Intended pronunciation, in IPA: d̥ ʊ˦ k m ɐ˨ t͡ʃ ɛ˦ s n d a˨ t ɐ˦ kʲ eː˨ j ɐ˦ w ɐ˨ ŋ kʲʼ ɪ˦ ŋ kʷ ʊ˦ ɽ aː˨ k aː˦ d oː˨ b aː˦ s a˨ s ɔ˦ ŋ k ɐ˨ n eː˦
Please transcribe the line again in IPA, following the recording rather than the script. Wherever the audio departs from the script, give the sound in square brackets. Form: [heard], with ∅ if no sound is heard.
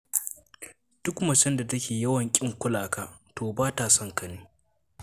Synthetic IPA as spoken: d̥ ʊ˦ k m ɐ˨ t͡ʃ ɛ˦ [∅] n d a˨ t ɐ˦ kʲ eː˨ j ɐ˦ w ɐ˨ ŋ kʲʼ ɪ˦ ŋ kʷ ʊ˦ [l] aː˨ k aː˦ [t] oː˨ b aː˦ [t] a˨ s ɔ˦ ŋ k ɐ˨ n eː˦

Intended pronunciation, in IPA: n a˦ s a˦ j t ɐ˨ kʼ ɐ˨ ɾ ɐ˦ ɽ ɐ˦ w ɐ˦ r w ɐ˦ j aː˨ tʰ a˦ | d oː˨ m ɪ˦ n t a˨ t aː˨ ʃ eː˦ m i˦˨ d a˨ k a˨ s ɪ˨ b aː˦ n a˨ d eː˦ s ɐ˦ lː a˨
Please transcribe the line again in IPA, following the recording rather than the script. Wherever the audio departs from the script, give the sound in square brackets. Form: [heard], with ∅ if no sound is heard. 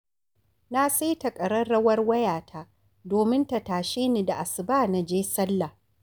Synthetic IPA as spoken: n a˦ s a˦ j t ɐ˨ kʼ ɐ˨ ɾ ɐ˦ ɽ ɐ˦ w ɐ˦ r w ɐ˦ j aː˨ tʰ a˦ | d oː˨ m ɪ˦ n t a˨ t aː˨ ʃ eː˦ [n] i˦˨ d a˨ [ʔ] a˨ s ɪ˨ b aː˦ n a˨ [d͡ʒ] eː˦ s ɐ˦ lː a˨

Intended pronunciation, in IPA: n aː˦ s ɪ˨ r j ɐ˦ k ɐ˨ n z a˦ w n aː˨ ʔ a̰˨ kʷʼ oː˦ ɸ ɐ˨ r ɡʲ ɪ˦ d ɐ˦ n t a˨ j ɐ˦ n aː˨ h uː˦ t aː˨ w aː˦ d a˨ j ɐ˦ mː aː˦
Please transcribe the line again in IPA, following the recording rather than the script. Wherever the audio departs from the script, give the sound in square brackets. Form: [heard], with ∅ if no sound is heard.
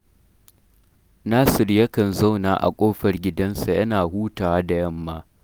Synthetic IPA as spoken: n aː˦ s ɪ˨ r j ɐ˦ k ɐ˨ n z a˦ w n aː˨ ʔ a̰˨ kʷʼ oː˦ ɸ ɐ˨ r ɡʲ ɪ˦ d ɐ˦ n [s] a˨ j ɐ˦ n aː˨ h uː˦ t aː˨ w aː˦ d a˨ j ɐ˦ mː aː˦

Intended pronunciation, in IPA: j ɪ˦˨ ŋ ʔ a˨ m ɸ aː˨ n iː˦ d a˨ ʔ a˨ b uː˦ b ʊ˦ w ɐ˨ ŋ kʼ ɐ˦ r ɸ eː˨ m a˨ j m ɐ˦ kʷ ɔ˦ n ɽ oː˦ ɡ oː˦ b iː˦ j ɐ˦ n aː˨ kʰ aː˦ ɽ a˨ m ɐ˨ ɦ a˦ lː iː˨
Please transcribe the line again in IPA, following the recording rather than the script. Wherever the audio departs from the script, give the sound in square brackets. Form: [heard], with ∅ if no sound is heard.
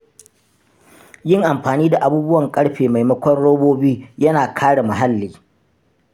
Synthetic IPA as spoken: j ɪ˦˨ ŋ ʔ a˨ m ɸ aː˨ n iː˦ d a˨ ʔ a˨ b uː˦ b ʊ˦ w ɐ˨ ŋ kʼ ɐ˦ [ɽ] ɸ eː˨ m a˨ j m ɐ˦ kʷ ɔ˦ n ɽ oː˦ [b] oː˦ b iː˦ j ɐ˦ n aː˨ kʰ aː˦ ɽ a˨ m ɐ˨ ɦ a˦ lː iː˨

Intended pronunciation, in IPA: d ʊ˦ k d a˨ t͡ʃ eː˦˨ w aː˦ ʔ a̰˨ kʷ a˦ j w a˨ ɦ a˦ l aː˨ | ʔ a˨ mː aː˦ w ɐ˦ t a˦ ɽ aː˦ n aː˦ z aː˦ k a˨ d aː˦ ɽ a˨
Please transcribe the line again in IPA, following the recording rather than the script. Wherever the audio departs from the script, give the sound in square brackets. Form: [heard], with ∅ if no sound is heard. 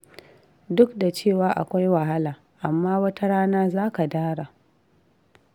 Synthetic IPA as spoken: d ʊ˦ k d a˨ t͡ʃ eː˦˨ w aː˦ ʔ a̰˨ kʷ a˦ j w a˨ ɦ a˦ l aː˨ | ʔ a˨ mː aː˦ w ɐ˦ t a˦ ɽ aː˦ n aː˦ z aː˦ k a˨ d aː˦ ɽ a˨

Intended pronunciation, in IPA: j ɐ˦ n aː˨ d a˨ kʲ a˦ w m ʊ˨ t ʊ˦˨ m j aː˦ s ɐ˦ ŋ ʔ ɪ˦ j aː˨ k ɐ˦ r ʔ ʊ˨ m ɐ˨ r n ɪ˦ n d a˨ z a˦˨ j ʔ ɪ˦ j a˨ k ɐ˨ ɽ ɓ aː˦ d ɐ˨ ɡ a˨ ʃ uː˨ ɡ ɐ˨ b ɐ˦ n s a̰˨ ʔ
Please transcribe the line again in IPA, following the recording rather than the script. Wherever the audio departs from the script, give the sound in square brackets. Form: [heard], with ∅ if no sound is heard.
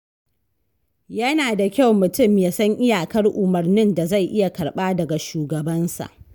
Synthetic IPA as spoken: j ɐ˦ n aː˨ d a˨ kʲ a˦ w m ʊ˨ t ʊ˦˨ m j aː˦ s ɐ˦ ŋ ʔ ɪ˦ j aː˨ k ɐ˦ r ʔ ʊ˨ m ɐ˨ r n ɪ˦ n d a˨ z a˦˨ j ʔ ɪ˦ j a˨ k ɐ˨ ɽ ɓ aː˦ d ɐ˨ ɡ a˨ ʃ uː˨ ɡ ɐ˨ b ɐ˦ n s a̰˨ ʔ

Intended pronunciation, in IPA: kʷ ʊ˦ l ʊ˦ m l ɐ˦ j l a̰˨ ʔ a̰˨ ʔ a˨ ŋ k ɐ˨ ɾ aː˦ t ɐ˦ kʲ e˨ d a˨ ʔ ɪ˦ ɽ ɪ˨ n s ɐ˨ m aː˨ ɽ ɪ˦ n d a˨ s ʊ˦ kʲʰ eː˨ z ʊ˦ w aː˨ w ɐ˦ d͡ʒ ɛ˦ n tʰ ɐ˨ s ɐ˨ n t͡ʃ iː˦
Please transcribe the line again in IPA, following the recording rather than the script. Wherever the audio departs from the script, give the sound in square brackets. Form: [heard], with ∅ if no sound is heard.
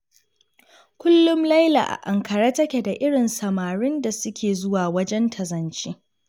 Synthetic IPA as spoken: kʷ ʊ˦ [lː] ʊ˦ m l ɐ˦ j l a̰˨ ʔ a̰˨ ʔ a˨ ŋ k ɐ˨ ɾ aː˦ t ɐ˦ kʲ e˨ d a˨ ʔ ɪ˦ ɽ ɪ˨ n s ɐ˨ m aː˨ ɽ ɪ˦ n d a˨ s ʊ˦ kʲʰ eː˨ z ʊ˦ w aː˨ w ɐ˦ d͡ʒ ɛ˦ n tʰ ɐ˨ [z] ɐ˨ n t͡ʃ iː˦

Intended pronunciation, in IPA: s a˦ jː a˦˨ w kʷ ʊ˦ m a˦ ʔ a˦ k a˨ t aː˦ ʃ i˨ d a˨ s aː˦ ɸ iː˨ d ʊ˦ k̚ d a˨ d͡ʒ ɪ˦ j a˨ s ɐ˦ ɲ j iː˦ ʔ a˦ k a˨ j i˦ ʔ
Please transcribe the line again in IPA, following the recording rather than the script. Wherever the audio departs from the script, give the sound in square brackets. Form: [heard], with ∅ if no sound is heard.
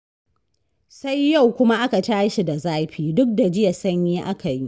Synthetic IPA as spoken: s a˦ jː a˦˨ w kʷ ʊ˦ m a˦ ʔ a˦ k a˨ t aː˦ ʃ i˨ d a˨ [z] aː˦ ɸ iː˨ d ʊ˦ k̚ d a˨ d͡ʒ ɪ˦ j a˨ s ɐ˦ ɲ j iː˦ ʔ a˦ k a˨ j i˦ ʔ

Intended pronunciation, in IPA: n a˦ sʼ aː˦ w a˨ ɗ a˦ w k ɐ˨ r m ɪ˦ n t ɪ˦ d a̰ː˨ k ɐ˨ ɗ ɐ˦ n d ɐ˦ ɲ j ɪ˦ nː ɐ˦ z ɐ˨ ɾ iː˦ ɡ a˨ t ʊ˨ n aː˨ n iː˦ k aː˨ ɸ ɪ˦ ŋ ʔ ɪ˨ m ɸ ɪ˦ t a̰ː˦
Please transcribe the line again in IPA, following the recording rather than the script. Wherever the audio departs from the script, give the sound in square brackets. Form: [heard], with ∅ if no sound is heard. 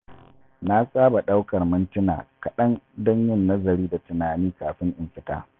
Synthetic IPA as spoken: n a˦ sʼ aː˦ [b] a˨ ɗ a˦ w k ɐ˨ r m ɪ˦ n t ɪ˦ [n] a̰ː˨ k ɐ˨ ɗ ɐ˦ n d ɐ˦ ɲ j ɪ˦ nː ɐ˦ z ɐ˨ ɾ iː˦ [d] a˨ t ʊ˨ n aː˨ n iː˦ k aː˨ ɸ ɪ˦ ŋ ʔ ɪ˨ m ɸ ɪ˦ t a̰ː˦

